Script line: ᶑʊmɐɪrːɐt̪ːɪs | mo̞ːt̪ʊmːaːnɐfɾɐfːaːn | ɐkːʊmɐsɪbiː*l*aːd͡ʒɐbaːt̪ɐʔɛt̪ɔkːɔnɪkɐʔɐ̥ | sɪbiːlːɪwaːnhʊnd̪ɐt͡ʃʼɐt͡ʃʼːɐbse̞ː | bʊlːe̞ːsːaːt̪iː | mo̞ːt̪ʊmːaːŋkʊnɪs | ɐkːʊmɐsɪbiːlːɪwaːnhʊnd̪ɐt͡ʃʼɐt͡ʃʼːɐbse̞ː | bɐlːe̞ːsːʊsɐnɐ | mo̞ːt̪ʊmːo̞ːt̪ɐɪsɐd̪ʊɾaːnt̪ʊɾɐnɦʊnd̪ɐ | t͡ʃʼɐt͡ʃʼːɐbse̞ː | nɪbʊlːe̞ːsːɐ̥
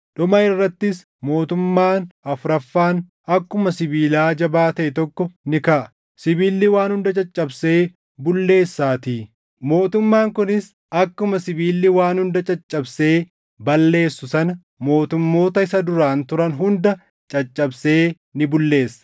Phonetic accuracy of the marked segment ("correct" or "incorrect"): correct